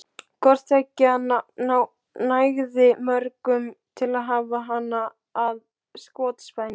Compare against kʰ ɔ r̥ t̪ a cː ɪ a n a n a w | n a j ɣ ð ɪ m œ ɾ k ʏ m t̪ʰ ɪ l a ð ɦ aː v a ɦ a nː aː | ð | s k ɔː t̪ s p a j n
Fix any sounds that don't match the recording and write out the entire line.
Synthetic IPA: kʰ ɔ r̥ t̪ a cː ɪ a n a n a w | n a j ɣ ð ɪ m œ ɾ k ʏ m t̪ʰ ɪ l a ð ɦ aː v a ɦ a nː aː | ð | s k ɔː t̪ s p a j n